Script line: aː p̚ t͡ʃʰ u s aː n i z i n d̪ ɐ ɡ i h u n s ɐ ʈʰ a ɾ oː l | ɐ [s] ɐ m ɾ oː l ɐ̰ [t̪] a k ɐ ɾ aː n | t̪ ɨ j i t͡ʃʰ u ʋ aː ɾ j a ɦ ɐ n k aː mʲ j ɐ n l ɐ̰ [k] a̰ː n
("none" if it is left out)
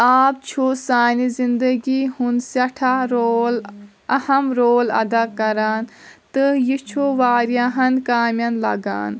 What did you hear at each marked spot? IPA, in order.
h, d̪, ɡ

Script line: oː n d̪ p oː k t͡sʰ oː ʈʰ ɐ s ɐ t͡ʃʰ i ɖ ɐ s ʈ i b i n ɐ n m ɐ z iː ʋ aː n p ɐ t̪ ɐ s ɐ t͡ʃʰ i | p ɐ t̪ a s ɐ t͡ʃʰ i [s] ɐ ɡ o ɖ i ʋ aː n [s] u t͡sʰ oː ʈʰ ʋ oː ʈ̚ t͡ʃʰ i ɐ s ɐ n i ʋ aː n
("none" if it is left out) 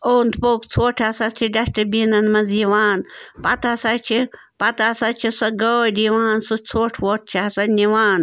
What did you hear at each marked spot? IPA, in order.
s, s

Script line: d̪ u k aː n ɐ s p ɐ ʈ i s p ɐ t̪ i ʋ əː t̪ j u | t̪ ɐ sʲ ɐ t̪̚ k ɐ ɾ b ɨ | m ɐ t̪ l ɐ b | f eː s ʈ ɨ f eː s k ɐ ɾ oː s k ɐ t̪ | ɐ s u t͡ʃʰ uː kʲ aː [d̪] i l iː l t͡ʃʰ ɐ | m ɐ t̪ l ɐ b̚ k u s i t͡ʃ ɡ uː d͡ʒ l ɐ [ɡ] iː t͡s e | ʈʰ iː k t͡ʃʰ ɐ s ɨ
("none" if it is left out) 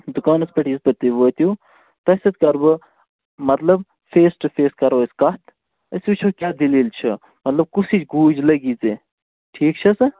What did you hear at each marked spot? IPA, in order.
d̪, ɡ

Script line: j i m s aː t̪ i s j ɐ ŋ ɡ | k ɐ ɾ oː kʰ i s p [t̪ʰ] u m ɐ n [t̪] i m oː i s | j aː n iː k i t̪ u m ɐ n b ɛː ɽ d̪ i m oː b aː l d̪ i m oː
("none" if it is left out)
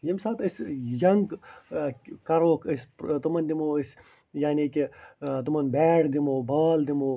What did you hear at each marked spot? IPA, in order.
t̪, d̪

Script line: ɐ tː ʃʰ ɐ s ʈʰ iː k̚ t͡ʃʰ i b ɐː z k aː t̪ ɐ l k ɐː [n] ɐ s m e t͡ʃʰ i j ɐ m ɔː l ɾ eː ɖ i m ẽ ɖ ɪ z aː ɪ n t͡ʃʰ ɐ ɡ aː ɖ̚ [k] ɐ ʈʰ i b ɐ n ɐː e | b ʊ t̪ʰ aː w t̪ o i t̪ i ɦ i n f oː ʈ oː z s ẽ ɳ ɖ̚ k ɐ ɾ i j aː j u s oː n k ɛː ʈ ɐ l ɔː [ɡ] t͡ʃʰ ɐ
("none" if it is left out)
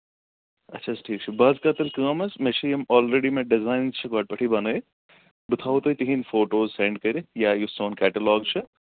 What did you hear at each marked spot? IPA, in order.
m, p, ɡ

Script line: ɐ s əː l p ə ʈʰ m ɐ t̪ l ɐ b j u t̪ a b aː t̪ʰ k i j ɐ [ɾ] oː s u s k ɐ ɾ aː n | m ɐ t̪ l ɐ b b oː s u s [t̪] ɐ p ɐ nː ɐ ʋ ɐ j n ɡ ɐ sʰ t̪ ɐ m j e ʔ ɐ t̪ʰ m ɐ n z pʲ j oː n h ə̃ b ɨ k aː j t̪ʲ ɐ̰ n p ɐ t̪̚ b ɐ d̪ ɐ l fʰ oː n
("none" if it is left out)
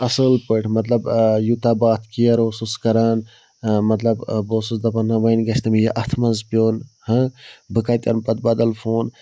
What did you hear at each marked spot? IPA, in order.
ɾ, d̪

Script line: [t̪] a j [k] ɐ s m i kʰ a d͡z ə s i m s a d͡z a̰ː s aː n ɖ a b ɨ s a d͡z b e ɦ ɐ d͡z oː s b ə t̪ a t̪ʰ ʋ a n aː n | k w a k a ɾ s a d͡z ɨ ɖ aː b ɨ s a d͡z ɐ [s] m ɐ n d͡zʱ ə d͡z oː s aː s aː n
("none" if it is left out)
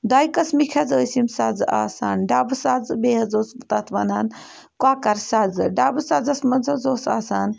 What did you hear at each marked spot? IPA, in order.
d̪, k, s

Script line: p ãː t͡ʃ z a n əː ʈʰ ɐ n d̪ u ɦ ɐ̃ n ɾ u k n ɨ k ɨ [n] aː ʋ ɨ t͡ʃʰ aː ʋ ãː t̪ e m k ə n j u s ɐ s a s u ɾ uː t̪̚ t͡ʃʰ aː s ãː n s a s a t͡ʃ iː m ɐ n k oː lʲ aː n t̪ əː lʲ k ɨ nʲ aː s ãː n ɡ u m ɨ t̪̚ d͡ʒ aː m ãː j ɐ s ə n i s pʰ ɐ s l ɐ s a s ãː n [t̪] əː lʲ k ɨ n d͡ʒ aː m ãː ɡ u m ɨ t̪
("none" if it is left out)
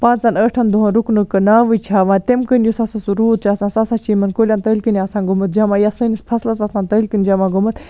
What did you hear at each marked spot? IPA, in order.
n, t̪

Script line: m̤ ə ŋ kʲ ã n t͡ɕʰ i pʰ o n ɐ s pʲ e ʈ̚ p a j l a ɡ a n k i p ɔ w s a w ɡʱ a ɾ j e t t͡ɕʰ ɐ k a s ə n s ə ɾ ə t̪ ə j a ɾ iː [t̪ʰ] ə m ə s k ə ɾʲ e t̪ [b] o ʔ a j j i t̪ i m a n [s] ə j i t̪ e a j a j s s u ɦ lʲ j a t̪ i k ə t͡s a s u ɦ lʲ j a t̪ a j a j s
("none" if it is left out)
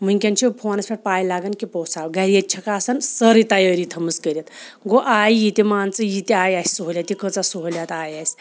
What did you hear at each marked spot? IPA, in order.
t̪ʰ, ɡ, t͡s

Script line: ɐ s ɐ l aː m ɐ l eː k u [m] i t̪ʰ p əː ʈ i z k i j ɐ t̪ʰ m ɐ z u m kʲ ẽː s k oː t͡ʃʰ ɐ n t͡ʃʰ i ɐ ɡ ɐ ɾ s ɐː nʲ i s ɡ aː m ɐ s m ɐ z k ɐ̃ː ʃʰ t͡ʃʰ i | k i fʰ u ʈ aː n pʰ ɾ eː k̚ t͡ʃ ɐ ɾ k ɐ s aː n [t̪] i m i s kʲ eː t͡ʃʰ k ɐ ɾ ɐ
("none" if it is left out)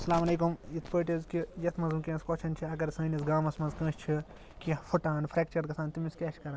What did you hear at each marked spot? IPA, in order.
m, t̪

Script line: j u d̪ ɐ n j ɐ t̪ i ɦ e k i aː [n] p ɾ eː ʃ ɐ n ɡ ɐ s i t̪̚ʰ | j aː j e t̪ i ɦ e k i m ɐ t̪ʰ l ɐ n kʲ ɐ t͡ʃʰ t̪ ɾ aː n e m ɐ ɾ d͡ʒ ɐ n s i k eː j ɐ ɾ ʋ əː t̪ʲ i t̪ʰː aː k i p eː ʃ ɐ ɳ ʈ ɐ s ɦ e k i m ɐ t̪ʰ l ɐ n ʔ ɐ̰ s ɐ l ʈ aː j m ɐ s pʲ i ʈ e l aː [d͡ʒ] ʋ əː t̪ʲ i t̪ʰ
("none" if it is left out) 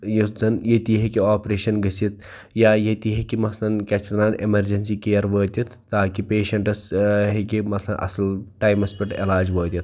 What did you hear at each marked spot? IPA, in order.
none, d͡ʒ

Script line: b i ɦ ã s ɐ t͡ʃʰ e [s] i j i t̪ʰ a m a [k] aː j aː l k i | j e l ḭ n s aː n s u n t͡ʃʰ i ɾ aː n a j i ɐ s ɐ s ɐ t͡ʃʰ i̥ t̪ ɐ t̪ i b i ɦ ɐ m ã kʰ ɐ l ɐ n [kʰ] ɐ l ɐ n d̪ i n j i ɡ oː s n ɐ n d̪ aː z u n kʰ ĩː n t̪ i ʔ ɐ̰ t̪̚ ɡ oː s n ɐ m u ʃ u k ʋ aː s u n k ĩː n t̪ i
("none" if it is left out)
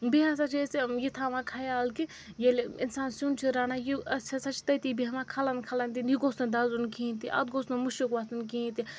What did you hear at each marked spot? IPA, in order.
s, kʰ, kʰ

